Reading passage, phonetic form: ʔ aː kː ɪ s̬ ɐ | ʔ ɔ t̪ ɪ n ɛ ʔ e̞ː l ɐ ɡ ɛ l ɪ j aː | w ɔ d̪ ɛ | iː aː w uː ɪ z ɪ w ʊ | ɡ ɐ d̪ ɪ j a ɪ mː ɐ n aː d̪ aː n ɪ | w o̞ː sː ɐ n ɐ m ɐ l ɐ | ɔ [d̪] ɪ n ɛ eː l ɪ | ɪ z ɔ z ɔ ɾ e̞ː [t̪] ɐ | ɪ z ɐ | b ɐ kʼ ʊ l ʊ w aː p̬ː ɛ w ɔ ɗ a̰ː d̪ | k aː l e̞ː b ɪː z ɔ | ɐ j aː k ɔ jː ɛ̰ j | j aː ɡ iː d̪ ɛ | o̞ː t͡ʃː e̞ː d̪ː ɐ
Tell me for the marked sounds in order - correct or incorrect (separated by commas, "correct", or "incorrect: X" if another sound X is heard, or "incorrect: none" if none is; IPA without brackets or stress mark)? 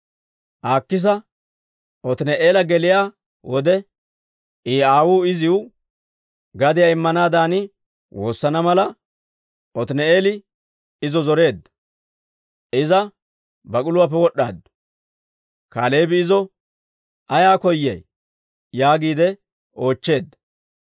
incorrect: t̪, incorrect: d̪